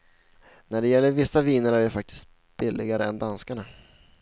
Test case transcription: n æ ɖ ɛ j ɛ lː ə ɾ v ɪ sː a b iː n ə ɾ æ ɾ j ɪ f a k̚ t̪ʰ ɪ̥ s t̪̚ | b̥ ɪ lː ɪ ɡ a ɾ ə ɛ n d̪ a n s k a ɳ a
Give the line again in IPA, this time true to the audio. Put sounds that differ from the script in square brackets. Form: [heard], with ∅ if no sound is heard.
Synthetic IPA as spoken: n æ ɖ ɛ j ɛ lː ə ɾ v ɪ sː a [v] iː n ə ɾ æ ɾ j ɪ f a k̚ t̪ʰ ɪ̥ s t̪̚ | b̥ ɪ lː ɪ ɡ a ɾ ə ɛ n d̪ a n s k a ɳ a